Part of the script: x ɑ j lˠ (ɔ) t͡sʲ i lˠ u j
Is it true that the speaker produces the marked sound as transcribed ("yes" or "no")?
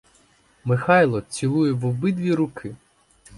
yes